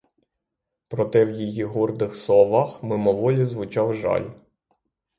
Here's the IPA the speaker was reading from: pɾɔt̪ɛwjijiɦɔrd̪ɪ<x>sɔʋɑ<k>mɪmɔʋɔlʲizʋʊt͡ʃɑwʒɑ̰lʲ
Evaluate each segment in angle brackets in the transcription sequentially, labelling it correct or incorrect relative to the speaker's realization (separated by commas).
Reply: correct, incorrect